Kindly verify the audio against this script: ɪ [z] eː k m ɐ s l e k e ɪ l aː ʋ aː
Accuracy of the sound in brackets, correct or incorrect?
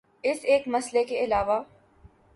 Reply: incorrect